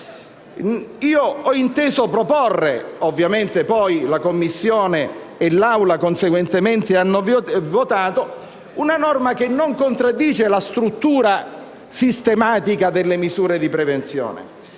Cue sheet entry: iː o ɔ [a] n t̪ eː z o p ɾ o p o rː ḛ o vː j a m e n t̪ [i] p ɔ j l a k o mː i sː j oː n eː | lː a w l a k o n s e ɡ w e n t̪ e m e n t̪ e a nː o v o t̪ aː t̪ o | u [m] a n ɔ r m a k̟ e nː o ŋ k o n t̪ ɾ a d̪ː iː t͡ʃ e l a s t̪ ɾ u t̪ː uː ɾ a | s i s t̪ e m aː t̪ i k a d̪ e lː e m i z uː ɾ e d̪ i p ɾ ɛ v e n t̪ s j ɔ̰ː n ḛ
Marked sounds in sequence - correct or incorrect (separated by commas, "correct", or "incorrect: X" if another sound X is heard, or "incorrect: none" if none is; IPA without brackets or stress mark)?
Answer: incorrect: i, incorrect: e, incorrect: n